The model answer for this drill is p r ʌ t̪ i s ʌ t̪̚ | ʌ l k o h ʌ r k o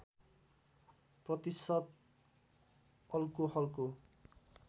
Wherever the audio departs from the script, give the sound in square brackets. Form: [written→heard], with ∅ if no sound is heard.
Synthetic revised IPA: p r ʌ t̪ i s ʌ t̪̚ | ʌ l k o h ʌ [r→l] k o